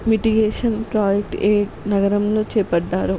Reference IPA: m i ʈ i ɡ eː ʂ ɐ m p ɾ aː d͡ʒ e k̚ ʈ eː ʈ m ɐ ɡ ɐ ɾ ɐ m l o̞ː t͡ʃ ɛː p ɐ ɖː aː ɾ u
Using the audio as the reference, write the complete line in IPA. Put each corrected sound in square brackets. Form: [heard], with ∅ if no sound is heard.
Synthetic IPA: m i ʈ i ɡ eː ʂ ɐ [n] p ɾ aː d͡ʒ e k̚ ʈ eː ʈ [n] ɐ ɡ ɐ ɾ ɐ m l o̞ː t͡ʃ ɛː p ɐ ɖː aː ɾ u